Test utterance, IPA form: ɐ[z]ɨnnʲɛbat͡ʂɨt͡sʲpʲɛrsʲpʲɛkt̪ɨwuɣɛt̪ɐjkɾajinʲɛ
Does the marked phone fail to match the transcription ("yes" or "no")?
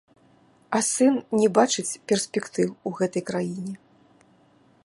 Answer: yes